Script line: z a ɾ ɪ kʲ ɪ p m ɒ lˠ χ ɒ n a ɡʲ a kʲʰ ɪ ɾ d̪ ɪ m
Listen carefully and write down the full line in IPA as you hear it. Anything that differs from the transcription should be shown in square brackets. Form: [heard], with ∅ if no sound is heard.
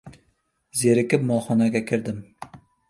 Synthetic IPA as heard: z [e] ɾ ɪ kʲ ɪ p m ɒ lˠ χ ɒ n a ɡʲ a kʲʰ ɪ ɾ d̪ ɪ m